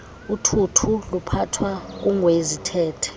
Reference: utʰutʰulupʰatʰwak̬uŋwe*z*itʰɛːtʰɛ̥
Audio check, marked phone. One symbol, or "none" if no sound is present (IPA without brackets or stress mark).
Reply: z